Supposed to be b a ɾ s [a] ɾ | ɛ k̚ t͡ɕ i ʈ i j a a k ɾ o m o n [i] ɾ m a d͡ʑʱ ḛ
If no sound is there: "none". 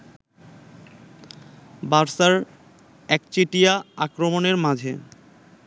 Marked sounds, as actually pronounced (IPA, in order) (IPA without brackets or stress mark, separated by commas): a, e